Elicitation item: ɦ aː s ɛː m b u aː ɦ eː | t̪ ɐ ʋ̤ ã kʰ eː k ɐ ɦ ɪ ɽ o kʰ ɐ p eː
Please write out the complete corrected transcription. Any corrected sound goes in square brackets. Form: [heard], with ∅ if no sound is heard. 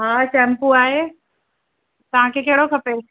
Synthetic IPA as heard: ɦ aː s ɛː m [p] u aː ɦ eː | t̪ ɐ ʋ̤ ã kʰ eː k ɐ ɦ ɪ ɽ o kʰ ɐ p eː